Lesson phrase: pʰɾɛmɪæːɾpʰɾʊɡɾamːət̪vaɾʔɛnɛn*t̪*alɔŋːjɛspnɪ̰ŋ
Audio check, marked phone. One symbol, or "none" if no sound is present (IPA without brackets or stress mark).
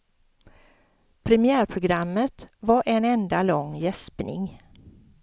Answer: d̪